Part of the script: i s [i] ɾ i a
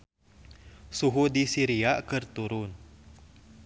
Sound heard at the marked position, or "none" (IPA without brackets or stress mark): i